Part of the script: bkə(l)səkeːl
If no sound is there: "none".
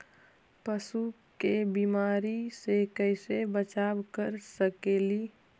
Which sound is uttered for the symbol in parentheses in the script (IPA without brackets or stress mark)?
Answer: ɾ